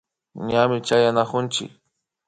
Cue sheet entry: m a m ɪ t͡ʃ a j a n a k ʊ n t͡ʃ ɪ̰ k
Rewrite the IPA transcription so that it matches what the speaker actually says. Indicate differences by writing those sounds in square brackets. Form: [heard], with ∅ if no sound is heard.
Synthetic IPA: [ɲ] a m ɪ t͡ʃ a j a n a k ʊ n t͡ʃ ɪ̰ k